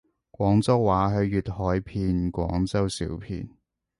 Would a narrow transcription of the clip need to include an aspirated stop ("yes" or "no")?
yes